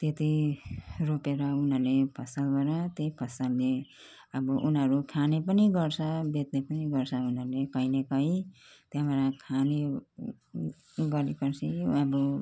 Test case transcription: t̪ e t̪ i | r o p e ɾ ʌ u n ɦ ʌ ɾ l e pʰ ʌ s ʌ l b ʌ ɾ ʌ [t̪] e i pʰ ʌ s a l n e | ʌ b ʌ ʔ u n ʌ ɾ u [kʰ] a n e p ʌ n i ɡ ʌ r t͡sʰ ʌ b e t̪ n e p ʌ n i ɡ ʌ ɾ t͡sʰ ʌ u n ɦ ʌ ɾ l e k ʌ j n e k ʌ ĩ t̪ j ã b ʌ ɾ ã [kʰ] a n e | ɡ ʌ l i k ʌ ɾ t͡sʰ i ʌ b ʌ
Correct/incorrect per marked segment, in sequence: correct, correct, correct

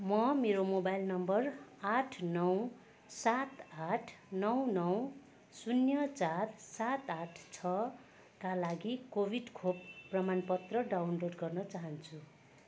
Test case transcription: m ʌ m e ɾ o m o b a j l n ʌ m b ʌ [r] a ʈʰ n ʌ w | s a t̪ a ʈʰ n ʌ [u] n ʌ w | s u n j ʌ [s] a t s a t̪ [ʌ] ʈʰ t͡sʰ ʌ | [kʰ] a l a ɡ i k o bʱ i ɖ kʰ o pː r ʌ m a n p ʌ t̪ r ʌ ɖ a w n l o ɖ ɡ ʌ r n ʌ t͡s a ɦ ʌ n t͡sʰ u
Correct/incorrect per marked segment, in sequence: correct, incorrect: w, incorrect: t͡s, incorrect: a, incorrect: k

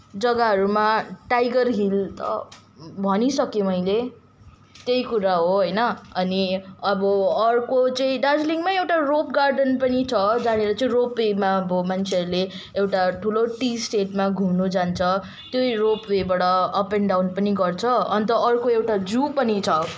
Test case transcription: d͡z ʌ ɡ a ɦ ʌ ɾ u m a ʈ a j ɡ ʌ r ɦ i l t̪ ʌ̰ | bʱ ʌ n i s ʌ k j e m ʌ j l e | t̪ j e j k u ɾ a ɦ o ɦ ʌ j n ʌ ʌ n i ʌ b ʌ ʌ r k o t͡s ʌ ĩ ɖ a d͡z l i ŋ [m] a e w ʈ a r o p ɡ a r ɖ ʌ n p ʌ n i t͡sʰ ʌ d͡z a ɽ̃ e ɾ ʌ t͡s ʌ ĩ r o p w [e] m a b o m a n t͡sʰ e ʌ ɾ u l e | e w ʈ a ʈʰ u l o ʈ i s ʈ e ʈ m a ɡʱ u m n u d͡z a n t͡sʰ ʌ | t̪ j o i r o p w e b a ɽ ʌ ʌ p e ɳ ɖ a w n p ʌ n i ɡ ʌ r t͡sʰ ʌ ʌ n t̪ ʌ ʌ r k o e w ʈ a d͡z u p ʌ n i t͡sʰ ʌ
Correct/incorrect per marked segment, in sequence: correct, correct

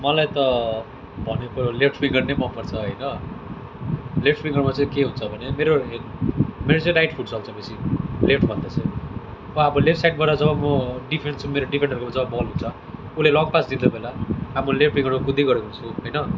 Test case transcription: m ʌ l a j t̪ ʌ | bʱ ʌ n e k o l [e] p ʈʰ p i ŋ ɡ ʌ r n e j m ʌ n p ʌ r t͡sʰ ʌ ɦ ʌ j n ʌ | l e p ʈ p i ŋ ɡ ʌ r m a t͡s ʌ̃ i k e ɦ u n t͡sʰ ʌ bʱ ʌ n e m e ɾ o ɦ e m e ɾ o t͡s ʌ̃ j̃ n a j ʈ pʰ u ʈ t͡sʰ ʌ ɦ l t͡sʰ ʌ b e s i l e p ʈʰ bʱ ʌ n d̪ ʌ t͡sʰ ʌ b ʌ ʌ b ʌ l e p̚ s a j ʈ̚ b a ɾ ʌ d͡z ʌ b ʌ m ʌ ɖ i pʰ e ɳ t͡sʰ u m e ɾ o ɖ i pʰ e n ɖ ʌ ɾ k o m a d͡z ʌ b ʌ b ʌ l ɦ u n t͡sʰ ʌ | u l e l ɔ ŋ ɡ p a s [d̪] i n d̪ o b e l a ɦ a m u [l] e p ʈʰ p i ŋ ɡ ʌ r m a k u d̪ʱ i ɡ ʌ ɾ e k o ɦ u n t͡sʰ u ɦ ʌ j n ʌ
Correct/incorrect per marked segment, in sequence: correct, correct, correct

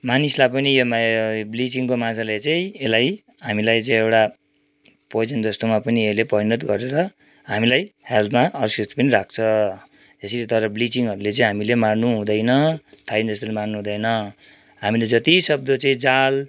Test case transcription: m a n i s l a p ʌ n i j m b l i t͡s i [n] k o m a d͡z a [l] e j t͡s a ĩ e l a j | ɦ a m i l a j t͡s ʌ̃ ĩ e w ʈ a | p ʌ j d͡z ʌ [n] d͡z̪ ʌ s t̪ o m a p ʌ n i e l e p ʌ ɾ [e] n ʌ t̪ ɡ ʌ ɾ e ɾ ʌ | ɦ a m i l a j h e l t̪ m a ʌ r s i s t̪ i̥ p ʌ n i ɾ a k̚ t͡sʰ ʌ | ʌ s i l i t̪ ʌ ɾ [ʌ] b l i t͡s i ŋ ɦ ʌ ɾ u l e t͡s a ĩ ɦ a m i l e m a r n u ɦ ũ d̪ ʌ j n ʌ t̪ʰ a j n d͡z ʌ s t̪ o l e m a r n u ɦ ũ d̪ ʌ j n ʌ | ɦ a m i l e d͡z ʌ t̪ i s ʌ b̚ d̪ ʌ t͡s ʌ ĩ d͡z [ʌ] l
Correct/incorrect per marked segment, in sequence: incorrect: ŋ, correct, correct, incorrect: i, correct, incorrect: a

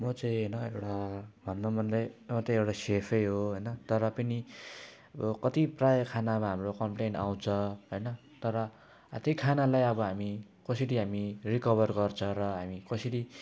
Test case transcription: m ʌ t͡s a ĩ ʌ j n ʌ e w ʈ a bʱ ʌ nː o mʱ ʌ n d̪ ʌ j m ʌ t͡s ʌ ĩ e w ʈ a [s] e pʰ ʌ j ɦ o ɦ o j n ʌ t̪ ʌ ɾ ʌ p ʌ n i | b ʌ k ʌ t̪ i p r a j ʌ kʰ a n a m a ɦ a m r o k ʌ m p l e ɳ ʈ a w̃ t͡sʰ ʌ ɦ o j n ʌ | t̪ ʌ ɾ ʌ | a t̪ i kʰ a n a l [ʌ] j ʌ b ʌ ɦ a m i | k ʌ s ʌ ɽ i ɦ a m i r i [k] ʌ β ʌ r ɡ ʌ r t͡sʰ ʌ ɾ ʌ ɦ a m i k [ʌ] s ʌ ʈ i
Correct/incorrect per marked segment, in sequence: correct, incorrect: a, correct, correct

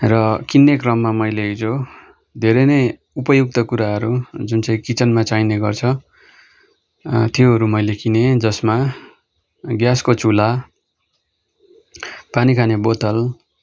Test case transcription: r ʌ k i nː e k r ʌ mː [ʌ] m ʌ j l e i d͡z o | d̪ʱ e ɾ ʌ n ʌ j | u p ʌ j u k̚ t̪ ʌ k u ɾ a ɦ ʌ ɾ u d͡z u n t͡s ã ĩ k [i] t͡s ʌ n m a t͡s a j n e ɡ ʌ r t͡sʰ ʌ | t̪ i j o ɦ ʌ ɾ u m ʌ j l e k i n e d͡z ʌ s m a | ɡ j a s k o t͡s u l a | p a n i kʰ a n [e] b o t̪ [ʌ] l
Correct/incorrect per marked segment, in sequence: incorrect: a, correct, correct, correct

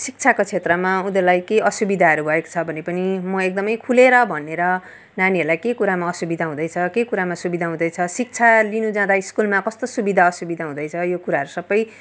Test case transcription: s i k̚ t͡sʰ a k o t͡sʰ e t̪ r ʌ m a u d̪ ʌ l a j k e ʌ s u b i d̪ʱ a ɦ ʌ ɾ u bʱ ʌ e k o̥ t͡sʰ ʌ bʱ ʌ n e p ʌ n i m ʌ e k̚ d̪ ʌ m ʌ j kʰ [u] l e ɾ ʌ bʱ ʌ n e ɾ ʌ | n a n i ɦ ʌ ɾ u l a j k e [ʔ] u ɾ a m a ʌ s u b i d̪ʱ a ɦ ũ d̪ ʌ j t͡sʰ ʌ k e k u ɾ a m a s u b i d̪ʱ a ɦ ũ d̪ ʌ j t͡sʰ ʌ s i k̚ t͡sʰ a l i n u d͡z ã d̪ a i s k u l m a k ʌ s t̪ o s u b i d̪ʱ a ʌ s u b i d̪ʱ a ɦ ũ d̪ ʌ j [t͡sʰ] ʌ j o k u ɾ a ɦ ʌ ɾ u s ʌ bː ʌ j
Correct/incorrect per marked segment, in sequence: correct, incorrect: k, correct

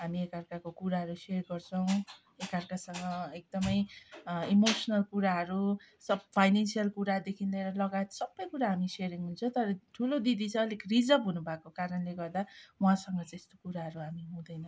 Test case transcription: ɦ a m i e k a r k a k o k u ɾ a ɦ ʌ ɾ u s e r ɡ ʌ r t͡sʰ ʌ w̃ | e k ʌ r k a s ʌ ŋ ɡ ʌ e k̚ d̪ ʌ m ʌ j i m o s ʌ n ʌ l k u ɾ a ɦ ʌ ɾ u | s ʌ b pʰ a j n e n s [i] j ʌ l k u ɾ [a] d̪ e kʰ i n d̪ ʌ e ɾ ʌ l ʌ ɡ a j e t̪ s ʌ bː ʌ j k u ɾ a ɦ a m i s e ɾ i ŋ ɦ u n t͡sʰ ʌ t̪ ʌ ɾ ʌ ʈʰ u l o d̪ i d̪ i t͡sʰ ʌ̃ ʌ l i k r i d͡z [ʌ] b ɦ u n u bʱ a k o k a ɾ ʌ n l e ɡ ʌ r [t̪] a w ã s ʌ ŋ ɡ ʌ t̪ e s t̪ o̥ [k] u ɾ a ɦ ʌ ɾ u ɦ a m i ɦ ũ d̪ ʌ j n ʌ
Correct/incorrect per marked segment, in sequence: correct, correct, correct, incorrect: d̪, correct

